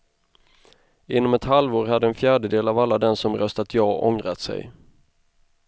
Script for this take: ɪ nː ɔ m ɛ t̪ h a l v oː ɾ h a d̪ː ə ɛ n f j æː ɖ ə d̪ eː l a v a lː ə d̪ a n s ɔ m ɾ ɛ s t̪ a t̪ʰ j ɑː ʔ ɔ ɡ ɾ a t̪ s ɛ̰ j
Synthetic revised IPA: ɪ nː ɔ m ɛ t̪ h a l v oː ɾ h a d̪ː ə ɛ n f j æː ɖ ə d̪ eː l a v a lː a d̪ ɛ n s ɔ m ɾ œ s t̪ a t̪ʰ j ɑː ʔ ɔ ŋ ɾ a t̪ s ɛ̰ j